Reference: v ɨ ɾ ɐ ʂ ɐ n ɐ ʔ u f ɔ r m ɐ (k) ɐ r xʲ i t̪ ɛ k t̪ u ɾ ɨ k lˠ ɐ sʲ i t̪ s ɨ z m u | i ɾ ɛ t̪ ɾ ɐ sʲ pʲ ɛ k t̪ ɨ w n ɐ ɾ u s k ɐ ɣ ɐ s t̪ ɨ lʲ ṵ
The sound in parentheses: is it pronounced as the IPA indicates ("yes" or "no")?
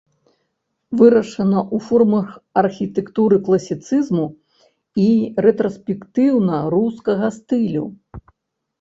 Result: no